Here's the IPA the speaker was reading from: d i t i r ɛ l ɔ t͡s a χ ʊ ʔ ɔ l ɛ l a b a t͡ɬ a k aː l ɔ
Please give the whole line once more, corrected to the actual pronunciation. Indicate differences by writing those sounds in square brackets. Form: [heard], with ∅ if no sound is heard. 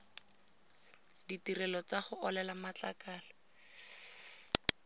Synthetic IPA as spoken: d i t i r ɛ l ɔ t͡s a χ ʊ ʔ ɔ l ɛ l a [m] a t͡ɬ a k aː l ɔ